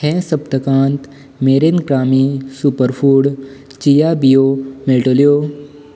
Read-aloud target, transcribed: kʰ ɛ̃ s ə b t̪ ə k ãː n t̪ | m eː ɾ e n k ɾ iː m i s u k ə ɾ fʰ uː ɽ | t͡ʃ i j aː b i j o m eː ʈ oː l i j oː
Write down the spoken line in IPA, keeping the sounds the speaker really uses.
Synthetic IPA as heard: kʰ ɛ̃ s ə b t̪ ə k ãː n t̪ | m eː ɾ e n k ɾ aː m i s u p ə ɾ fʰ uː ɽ | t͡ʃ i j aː b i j o m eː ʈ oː l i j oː

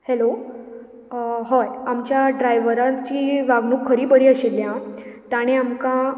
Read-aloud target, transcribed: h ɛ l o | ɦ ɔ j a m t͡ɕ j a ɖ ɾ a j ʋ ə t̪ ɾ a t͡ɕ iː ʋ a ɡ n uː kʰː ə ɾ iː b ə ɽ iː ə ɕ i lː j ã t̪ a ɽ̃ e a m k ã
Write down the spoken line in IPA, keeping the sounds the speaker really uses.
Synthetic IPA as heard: h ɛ l o | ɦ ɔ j a m t͡ɕ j a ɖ ɾ a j ʋ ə ɾ a t͡ɕ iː ʋ a ɡ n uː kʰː ə ɾ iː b ə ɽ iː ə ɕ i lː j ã t̪ a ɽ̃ e a m k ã

